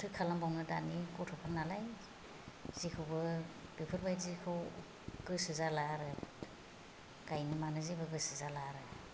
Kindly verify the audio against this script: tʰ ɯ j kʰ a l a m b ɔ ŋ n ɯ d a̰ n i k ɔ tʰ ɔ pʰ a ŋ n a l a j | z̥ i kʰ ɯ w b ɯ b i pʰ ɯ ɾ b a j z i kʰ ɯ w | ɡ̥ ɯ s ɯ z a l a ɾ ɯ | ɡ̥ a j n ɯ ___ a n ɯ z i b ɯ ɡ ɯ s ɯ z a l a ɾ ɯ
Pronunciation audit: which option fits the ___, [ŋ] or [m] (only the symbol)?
m